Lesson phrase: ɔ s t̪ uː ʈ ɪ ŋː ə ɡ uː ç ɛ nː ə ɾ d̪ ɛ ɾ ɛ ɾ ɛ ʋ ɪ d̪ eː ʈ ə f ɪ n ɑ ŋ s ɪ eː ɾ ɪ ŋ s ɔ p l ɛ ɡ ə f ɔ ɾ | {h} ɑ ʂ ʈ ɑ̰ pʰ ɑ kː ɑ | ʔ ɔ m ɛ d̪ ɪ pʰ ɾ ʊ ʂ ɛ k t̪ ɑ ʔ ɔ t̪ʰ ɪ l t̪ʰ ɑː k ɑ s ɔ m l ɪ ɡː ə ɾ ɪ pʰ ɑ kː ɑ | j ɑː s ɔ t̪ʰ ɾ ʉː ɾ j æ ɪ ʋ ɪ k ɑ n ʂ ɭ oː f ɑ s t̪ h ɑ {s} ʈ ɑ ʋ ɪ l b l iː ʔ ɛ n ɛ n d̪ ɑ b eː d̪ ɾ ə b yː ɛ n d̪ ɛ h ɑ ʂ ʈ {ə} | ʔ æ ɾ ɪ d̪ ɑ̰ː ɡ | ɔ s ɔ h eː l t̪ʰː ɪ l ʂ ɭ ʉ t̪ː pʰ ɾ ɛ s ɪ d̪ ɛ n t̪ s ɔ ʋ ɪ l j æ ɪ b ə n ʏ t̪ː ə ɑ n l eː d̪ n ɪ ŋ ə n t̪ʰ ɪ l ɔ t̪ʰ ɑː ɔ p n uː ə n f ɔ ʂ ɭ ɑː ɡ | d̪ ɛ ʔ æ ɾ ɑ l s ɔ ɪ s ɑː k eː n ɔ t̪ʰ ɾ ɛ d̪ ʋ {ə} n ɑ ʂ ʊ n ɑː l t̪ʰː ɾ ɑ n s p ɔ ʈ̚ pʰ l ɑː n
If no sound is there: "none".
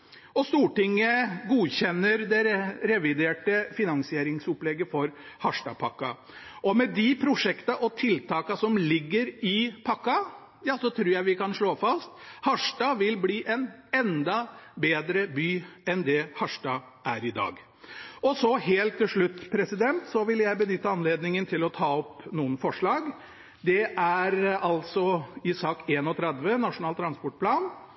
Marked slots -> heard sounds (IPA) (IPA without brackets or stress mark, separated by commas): h, ʂ, ɑ, ə